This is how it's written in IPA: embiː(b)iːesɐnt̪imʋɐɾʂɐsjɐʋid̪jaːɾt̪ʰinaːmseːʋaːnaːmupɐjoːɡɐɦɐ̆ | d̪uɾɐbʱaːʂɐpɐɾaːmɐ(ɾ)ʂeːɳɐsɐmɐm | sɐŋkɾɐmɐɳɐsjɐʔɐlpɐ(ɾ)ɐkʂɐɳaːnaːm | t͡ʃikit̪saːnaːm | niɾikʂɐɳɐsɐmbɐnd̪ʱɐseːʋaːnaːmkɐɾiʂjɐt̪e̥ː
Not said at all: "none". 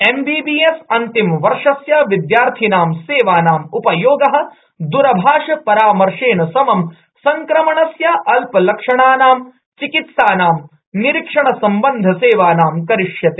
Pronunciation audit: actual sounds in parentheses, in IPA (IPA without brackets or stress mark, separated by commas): b, ɾ, l